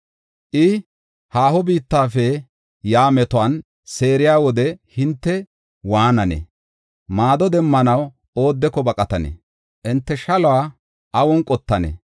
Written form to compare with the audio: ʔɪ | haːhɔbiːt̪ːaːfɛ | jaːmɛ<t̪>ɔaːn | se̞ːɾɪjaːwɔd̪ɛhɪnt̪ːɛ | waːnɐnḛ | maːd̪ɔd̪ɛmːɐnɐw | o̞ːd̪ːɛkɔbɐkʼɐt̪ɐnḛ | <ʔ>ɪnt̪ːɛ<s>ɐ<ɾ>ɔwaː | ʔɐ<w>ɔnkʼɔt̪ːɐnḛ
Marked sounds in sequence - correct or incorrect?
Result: correct, correct, incorrect: ʃ, incorrect: l, correct

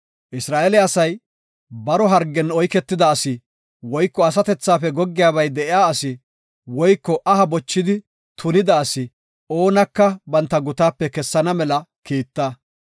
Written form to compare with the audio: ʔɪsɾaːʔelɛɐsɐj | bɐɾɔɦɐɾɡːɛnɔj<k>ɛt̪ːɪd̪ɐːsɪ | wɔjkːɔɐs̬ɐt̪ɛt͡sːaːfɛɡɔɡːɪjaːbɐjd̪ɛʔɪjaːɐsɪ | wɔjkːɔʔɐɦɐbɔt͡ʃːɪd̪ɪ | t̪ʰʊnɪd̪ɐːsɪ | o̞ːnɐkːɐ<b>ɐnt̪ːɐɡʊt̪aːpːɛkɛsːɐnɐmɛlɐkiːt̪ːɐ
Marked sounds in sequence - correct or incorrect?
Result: correct, correct

